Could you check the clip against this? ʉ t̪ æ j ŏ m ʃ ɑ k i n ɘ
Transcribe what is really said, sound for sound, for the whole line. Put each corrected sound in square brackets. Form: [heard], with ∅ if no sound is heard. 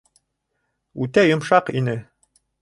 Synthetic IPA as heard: ʉ t̪ æ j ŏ m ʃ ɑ [q] i n ɘ